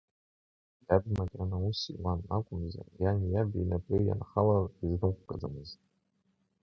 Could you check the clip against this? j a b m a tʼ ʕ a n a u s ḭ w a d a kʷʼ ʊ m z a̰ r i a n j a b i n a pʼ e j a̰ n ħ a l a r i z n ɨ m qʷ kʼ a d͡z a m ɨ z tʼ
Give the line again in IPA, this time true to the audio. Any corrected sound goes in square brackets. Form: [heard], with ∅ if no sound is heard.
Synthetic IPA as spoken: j a b m a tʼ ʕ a n a u s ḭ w a [n] a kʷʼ ʊ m z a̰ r [j] a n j a b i n a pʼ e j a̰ n [χ] a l a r i z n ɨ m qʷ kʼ a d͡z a m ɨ z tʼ

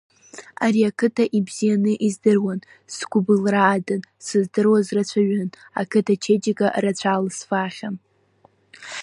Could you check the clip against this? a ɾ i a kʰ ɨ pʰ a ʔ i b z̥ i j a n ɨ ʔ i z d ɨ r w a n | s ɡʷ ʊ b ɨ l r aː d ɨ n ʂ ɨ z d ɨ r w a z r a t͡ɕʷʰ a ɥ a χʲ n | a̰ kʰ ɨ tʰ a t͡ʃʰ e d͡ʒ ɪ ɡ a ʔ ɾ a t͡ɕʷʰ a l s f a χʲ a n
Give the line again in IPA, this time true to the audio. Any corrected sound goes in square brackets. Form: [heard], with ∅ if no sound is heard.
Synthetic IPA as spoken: a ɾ i a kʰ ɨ [tʰ] a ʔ i b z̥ i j a n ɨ ʔ i z d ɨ r w a n | s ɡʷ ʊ b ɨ l r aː d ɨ n [s] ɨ z d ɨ r w a z r a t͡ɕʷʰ a ɥ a [∅] n | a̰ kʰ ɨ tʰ a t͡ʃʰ e d͡ʒ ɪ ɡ a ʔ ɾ a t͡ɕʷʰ a l s f a χʲ a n

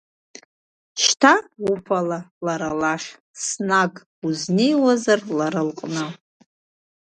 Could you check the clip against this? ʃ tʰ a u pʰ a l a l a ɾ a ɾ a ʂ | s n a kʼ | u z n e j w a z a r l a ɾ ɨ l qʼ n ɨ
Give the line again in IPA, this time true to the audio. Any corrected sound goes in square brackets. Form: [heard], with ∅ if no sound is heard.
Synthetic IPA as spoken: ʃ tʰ a u pʰ a l a l a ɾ a [l] a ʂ | s n a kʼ | u z n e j w a z a r l a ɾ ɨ l qʼ n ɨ

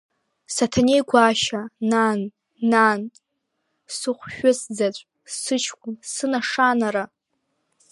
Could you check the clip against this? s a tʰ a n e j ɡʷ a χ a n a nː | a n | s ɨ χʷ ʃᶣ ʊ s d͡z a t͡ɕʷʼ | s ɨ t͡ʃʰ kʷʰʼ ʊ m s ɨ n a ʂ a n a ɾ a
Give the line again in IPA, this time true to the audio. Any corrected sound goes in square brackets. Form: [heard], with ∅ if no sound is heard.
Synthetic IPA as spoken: s a tʰ a n e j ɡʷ a [ʃ] a n a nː | a n | s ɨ χʷ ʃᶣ ʊ s d͡z a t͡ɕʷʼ | s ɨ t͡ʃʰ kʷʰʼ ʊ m s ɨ n a ʂ a n a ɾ a

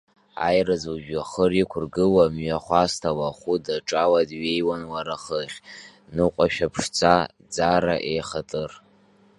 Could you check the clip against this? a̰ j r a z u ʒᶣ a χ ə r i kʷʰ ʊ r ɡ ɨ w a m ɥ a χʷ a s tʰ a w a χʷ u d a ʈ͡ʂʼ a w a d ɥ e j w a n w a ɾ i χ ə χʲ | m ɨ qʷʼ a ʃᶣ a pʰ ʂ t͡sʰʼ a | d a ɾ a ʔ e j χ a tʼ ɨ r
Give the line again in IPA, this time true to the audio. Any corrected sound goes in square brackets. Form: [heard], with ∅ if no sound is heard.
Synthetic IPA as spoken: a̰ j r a z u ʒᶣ a χ ə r i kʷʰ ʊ r ɡ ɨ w a m ɥ a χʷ a s tʰ a w a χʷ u d a ʈ͡ʂʼ a w a d ɥ e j w a n w a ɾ [a] χ ə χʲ | [n] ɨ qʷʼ a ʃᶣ a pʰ ʂ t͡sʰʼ a | [d͡z] a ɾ a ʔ e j χ a tʼ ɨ r

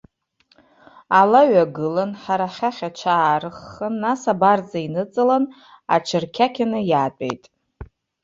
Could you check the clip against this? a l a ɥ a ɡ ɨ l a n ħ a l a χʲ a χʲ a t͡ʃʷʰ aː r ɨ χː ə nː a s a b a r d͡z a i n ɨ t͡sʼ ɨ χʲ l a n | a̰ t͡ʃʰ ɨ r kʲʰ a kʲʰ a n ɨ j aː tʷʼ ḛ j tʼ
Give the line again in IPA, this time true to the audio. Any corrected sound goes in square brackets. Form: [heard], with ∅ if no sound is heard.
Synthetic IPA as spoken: a l a ɥ a ɡ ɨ l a n ħ a [ɾ] a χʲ a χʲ a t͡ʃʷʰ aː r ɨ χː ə nː a s a b a r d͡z a i n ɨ t͡sʼ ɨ [∅] l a n | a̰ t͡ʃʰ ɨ r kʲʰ a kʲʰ a n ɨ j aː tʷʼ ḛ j tʼ

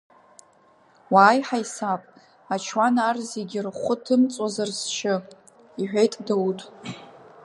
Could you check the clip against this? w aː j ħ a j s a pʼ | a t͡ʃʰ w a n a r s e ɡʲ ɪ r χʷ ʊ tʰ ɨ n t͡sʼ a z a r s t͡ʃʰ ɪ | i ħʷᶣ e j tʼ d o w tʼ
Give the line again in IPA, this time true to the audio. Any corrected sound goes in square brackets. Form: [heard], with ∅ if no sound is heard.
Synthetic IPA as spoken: w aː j ħ a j s a pʼ | a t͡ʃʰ w a n a r [z] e ɡʲ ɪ r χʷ ʊ tʰ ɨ [m] t͡sʼ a z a r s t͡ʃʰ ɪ | i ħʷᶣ e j tʼ d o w tʼ

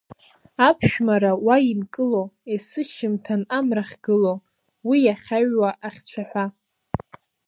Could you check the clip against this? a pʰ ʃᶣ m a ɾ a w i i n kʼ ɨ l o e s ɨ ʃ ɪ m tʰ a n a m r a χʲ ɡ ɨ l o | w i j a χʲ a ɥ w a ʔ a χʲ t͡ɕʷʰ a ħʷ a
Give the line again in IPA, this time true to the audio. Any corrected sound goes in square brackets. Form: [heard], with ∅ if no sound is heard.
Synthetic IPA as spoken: a pʰ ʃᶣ m a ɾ a w [a] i n kʼ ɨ l o e s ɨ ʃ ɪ m tʰ a n a m r a χʲ ɡ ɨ l o | w i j a χʲ a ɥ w a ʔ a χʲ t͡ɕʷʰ a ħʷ a

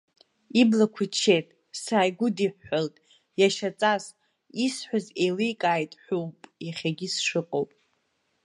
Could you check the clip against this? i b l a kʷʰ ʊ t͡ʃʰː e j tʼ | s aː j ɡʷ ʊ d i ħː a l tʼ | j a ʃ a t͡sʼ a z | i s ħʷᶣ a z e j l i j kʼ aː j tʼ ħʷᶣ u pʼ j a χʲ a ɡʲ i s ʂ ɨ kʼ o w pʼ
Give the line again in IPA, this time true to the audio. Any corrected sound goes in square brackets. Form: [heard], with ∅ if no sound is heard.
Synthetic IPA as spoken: i b l a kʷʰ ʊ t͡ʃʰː e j tʼ | s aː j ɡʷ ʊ d i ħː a l tʼ | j a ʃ a t͡sʼ a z | i s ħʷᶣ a z e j l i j kʼ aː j tʼ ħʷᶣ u pʼ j a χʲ a ɡʲ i s ʂ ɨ [qʼ] o w pʼ

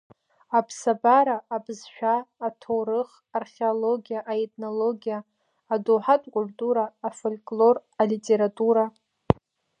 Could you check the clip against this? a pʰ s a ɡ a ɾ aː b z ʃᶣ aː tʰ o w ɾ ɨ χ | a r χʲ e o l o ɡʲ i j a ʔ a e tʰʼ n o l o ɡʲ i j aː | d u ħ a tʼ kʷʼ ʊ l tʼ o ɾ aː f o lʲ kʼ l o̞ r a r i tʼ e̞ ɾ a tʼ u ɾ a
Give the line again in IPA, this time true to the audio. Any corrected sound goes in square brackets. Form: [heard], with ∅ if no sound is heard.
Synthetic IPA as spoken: a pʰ s a [b] a ɾ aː b z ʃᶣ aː tʰ o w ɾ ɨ χ | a r χʲ e o l o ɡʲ i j a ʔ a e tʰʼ n o l o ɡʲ i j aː | d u ħ a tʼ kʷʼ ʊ l tʼ [u] ɾ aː f o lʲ kʼ l o̞ r a [l] i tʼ e̞ ɾ a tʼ u ɾ a

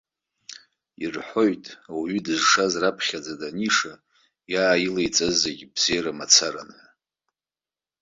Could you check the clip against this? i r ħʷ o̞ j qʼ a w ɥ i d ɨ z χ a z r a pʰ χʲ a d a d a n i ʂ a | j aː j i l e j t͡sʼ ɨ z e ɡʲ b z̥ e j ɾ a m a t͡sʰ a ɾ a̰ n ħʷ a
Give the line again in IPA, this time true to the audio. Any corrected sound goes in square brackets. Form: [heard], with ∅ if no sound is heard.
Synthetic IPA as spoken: i r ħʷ o̞ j [tʼ] a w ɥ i d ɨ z [ʂ] a z r a pʰ χʲ a [d͡z] a d a n i ʂ a | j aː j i l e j t͡sʼ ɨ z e ɡʲ b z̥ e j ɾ a m a t͡sʰ a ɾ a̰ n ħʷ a

